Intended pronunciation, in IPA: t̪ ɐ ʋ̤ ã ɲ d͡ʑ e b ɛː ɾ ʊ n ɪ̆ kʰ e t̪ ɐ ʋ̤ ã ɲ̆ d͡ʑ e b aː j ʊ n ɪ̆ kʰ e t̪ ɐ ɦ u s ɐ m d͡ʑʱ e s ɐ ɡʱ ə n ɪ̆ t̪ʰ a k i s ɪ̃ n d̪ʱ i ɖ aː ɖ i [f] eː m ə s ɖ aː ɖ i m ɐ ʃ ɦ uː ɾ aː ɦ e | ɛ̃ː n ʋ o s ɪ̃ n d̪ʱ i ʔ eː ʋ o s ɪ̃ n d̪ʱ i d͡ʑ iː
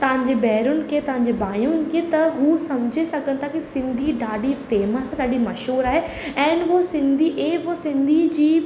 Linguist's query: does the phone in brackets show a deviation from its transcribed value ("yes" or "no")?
no